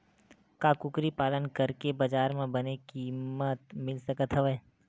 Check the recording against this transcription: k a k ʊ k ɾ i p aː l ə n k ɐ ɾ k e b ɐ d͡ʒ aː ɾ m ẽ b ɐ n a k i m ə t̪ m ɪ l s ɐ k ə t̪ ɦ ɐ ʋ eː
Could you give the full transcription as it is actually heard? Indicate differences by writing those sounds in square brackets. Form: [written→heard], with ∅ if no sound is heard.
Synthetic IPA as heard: k a k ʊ k ɾ i p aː l ə n k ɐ ɾ k e b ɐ d͡ʒ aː ɾ m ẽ b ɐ n [a→e] k i m ə t̪ m ɪ l s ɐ k ə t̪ ɦ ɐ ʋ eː